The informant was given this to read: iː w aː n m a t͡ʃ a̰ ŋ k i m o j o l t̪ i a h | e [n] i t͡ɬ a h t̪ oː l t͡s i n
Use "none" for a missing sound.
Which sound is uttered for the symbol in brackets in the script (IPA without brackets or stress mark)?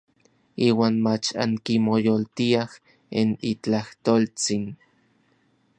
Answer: n